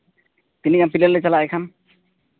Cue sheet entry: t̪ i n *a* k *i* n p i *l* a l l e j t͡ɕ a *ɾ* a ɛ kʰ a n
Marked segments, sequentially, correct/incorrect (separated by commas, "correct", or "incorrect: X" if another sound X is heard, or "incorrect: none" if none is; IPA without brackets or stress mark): incorrect: i, incorrect: a, correct, incorrect: l